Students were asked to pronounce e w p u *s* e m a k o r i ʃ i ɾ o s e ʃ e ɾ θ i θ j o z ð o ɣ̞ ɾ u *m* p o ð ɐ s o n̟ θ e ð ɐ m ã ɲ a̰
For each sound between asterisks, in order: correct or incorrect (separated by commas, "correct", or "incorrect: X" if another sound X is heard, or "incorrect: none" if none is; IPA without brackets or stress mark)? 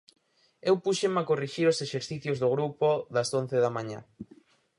incorrect: ʃ, incorrect: none